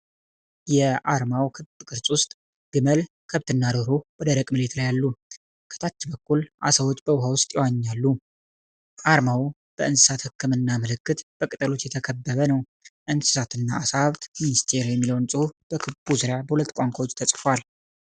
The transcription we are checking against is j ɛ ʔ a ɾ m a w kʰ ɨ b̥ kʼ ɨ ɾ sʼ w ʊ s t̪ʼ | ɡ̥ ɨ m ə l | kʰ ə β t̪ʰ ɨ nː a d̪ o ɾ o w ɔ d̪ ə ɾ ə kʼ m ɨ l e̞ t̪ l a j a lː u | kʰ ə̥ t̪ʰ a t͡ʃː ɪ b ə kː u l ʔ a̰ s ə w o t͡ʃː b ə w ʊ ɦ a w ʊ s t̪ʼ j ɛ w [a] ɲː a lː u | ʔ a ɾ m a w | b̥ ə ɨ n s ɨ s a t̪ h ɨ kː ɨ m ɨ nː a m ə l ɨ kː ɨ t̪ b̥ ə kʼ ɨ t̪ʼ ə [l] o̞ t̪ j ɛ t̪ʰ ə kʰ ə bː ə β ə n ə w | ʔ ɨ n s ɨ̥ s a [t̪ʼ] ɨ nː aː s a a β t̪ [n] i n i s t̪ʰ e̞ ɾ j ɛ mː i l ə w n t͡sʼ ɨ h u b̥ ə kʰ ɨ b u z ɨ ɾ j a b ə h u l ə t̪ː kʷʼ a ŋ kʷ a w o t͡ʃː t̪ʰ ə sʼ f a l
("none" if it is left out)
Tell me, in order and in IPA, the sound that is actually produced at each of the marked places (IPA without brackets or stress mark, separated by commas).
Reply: a, l, t̪, m